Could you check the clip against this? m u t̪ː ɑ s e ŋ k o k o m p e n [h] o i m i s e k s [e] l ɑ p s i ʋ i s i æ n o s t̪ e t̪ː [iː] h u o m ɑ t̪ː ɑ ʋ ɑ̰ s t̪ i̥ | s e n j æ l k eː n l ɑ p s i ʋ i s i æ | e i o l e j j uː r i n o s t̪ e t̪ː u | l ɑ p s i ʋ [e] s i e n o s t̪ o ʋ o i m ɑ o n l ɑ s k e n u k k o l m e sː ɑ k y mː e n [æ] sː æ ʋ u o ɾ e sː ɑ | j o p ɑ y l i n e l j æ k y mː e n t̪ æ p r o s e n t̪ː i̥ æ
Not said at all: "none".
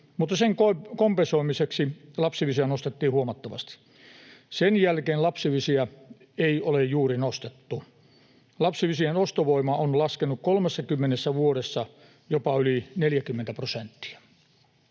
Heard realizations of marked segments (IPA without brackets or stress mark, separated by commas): s, i, iː, i, e